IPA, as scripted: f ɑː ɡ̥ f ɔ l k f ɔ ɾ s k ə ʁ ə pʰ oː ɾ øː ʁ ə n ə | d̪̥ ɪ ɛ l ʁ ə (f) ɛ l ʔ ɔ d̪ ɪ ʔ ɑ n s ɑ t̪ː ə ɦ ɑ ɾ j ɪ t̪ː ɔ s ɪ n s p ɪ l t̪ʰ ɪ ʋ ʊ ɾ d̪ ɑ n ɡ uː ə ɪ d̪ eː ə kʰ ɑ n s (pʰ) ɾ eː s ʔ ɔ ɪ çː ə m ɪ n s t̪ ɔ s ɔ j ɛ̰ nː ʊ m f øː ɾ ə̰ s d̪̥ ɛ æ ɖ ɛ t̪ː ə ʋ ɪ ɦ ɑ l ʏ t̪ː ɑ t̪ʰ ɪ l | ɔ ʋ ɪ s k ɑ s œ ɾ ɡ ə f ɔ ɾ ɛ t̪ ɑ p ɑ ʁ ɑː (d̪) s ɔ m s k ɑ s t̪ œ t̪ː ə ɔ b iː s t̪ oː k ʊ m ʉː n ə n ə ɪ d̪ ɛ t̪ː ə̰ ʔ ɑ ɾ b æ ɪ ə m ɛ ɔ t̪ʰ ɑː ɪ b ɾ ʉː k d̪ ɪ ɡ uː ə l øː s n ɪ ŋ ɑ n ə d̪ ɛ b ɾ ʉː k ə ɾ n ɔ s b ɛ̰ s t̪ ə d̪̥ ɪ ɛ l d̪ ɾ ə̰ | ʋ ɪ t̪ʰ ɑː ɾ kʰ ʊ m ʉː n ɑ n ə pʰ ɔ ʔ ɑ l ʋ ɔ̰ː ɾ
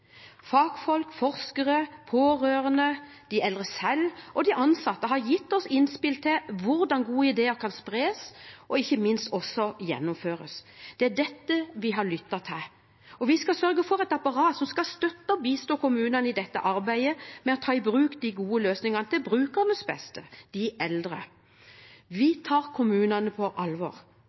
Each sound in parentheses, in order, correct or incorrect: incorrect, incorrect, incorrect

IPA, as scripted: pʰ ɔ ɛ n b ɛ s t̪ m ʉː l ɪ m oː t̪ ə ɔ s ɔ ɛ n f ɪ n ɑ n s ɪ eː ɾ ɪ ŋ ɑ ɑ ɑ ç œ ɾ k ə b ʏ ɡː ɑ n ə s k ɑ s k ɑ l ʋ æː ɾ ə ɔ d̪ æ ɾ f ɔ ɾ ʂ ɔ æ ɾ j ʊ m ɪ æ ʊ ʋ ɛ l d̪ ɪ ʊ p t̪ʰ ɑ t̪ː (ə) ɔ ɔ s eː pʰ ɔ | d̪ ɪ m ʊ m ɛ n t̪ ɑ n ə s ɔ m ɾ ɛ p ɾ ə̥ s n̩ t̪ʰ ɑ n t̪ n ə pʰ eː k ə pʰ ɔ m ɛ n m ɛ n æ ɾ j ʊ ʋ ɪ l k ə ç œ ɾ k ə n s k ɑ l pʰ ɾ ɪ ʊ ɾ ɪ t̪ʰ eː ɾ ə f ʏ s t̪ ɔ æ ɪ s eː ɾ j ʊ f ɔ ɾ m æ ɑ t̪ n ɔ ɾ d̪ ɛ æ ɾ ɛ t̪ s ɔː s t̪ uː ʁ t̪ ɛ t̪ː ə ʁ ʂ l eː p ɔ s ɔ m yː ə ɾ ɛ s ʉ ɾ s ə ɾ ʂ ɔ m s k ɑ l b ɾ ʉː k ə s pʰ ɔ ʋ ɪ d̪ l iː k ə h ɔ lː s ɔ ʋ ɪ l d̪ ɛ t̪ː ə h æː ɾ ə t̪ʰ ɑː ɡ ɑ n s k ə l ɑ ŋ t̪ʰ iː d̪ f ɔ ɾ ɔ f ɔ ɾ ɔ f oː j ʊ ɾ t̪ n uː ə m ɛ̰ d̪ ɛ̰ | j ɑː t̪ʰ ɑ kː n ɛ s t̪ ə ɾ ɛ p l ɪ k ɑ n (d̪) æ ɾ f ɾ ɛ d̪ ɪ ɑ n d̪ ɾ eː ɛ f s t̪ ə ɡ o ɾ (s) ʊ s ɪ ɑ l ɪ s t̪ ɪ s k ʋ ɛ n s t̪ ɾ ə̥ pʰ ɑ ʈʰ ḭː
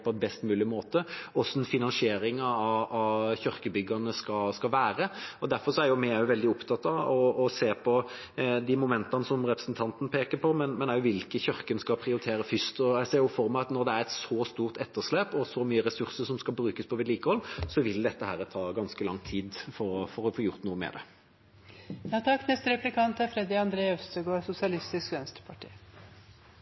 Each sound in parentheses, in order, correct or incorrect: incorrect, incorrect, correct

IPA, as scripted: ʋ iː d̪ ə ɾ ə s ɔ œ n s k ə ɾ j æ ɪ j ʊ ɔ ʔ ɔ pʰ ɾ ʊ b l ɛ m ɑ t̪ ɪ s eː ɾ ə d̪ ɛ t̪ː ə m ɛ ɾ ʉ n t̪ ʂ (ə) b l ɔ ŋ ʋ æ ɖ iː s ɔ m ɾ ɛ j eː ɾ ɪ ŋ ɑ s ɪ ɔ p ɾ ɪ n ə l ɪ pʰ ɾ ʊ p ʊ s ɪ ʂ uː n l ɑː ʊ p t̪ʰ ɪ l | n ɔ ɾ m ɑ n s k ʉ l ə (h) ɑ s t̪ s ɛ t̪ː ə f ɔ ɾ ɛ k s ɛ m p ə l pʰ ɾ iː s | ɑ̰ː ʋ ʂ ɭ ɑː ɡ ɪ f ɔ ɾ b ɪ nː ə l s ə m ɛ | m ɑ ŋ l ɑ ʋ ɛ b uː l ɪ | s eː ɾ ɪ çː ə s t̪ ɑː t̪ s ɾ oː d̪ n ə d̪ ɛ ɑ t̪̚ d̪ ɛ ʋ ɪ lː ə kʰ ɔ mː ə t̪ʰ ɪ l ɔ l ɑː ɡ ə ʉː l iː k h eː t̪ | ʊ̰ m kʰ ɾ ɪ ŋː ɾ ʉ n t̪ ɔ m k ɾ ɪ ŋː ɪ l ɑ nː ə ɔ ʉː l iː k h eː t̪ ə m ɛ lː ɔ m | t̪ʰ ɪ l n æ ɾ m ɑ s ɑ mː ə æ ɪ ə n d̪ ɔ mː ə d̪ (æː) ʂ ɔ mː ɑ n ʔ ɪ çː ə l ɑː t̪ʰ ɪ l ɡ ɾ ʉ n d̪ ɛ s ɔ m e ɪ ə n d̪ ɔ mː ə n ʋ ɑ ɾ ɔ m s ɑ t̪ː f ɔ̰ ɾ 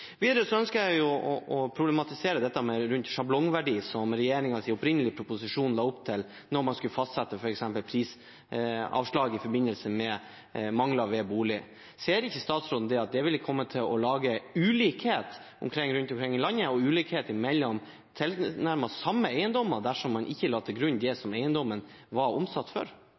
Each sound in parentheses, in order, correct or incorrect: incorrect, incorrect, incorrect

